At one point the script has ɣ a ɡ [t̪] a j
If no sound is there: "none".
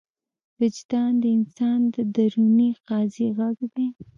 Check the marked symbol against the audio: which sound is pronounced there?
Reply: d̪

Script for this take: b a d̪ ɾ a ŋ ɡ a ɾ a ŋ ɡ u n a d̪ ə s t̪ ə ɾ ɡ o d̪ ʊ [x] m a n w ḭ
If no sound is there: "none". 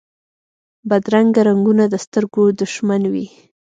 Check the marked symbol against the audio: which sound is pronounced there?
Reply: ʃ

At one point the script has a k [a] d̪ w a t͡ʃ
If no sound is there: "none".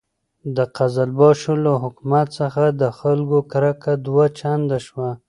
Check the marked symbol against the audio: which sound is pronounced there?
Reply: a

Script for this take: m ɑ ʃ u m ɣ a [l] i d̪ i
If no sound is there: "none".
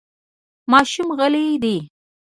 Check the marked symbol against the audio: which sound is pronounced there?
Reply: l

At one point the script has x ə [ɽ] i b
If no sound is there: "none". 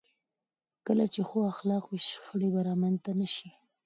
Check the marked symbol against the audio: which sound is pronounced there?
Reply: ɽ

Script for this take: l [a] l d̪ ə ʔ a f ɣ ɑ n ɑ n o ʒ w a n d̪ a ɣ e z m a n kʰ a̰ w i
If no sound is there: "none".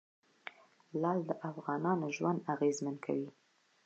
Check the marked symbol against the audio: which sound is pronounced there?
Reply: ɑ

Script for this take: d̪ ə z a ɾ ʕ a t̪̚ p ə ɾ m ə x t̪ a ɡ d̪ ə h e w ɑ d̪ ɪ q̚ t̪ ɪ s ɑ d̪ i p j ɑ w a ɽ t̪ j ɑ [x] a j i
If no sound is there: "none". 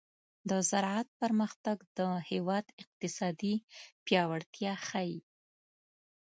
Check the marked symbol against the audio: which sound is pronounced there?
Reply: x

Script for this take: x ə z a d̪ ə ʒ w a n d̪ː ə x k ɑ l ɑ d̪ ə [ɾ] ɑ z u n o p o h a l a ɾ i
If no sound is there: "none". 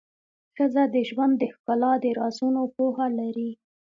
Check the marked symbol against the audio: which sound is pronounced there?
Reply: ɾ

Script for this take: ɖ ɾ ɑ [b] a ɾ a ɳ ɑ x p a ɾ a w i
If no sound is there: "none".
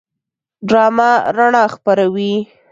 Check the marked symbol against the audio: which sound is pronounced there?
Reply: m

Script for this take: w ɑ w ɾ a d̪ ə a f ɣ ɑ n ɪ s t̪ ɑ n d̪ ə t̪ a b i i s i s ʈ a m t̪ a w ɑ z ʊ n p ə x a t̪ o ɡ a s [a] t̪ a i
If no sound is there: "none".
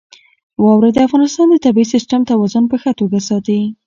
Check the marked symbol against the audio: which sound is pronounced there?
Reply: ɑ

